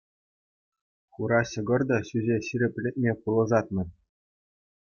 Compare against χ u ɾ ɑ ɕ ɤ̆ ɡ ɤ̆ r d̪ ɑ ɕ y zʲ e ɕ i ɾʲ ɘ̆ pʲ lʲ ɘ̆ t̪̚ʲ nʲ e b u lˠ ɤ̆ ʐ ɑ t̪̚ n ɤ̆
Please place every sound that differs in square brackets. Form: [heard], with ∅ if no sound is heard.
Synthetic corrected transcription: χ u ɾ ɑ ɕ ɤ̆ ɡ ɤ̆ r d̪ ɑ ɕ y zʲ e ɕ i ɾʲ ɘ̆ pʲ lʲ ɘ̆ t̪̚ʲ [mʲ] e [p] u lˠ ɤ̆ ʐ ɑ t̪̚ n ɤ̆

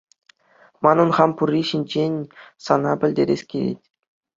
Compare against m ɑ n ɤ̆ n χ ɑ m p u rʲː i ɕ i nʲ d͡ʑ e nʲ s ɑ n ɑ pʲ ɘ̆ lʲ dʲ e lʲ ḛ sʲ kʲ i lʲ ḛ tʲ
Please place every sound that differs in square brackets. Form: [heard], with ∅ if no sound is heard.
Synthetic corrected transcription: m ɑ n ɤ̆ n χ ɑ m p u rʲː i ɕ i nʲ d͡ʑ e nʲ s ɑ n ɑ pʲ ɘ̆ lʲ dʲ e [ɾʲ] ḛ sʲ kʲ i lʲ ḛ tʲ

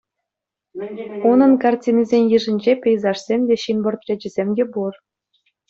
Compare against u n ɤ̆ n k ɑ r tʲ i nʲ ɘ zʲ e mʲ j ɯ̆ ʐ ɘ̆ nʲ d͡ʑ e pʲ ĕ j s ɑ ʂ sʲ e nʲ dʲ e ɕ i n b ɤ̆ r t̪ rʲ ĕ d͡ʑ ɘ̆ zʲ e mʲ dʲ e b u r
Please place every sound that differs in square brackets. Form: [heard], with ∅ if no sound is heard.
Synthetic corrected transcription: u n ɤ̆ n k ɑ r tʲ i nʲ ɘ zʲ e [nʲ] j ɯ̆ ʐ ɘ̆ nʲ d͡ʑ e pʲ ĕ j [z] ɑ ʂ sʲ e [mʲ] dʲ e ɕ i n b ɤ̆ r t̪ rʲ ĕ d͡ʑ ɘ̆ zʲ e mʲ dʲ e b u r

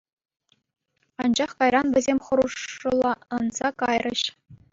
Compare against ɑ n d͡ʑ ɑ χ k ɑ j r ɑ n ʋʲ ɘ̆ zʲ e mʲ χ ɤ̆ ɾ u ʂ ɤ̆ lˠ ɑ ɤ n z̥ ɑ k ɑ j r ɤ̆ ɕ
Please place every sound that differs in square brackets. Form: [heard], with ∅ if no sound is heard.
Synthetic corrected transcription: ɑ n d͡ʑ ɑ χ k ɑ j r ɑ n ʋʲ ɘ̆ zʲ e mʲ χ ɤ̆ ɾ u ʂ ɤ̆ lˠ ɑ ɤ n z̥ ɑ k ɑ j r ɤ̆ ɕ

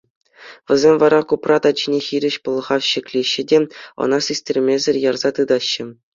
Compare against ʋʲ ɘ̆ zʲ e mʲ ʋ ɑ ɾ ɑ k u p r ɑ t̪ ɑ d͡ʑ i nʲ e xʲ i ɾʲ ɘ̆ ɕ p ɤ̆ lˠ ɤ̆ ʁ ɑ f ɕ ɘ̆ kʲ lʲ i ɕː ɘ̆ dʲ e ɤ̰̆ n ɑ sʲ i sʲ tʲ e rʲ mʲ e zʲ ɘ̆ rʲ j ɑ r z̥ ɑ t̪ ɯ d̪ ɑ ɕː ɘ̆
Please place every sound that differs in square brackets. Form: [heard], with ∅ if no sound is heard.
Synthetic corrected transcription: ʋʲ ɘ̆ zʲ e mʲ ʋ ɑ ɾ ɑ k u p r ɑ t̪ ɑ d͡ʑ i nʲ e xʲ i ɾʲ ɘ̆ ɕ p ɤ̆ lˠ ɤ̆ ʁ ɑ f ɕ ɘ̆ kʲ lʲ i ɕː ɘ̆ dʲ e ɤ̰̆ n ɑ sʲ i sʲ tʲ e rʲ mʲ e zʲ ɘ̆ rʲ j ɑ r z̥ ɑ t̪ ɯ d̪ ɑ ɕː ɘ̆

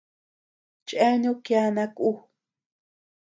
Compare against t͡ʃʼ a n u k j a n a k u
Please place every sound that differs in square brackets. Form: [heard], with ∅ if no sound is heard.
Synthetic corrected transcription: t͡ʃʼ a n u k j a n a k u

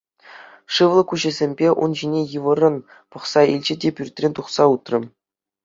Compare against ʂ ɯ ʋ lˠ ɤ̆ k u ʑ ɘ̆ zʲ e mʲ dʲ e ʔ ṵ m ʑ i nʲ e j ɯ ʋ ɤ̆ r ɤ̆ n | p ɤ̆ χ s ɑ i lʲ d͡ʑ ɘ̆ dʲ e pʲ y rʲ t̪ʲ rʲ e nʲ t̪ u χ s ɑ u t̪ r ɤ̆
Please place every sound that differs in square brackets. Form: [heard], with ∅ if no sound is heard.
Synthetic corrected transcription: ʂ ɯ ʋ lˠ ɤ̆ k u ʑ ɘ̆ zʲ e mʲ [bʲ] e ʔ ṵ [n] ʑ i nʲ e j ɯ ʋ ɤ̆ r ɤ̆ n | p ɤ̆ χ s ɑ i lʲ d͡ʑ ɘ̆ dʲ e pʲ y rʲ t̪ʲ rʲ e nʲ t̪ u χ s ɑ u t̪ r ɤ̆

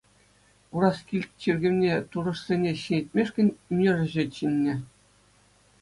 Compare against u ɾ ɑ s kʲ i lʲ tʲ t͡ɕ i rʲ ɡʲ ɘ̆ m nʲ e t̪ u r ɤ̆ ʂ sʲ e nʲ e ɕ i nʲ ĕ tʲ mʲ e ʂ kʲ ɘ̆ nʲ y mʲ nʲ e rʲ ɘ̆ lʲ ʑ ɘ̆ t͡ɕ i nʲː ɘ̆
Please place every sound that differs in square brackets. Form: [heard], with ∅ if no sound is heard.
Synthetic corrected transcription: u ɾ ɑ s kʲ i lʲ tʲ t͡ɕ i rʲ ɡʲ ɘ̆ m nʲ e t̪ u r ɤ̆ ʂ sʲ e nʲ e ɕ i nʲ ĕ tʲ mʲ e ʂ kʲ ɘ̆ nʲ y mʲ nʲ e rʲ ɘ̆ [∅] ʑ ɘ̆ t͡ɕ i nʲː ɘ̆

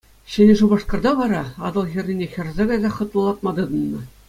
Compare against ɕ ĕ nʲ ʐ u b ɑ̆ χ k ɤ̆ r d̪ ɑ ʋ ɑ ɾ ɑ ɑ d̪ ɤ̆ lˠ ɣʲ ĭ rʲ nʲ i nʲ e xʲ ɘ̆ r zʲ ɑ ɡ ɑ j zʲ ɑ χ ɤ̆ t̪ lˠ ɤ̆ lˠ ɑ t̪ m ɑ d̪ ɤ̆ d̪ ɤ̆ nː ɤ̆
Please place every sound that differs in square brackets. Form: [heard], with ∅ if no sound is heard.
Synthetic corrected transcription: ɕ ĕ nʲ ʐ u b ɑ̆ [ʂ] k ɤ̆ r d̪ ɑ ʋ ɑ ɾ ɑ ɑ d̪ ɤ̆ lˠ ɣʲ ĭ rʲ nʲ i nʲ e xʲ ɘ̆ r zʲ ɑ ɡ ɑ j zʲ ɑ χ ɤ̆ t̪ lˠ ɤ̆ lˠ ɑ t̪ m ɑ d̪ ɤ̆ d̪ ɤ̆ nː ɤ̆

